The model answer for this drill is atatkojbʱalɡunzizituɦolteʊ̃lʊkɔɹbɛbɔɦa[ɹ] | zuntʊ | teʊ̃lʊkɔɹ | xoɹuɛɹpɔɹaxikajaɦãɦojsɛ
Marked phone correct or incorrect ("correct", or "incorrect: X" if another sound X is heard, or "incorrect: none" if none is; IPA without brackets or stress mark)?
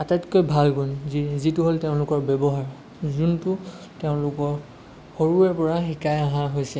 correct